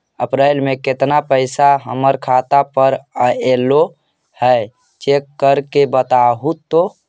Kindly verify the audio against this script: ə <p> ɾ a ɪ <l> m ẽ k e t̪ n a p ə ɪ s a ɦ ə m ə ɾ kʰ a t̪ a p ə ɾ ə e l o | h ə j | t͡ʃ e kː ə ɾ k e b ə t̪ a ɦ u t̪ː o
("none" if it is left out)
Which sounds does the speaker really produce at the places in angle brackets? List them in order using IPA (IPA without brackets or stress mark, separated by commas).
p, l